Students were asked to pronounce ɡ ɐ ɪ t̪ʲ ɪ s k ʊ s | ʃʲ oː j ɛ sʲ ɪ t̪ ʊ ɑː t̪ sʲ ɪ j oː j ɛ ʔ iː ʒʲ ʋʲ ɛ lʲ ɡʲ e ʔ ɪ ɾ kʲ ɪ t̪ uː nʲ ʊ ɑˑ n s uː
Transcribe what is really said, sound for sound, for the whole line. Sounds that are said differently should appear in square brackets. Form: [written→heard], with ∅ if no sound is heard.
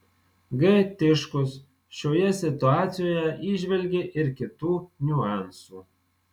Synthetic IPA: ɡ ɐ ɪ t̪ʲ ɪ [s→ʃ] k ʊ s | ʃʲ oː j ɛ sʲ ɪ t̪ ʊ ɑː t̪ sʲ ɪ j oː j ɛ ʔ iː ʒʲ ʋʲ ɛ lʲ ɡʲ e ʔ ɪ ɾ kʲ ɪ t̪ uː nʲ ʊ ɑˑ n s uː